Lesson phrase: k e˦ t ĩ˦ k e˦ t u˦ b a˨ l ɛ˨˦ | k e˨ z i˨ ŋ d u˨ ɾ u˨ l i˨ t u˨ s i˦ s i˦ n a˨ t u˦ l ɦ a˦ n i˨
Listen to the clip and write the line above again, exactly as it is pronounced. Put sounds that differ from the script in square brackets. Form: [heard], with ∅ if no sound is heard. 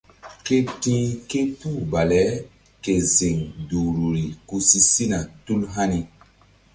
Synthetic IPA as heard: k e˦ t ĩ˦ k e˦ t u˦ b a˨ l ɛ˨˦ | k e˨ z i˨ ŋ d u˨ ɾ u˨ [ɾ] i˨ [k] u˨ s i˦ s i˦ n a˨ t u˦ l ɦ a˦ n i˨